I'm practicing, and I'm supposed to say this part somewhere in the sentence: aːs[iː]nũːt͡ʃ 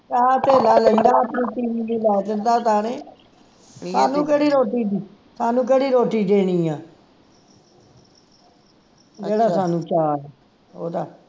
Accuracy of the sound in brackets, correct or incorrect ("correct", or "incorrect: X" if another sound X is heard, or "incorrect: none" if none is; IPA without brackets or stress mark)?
incorrect: aː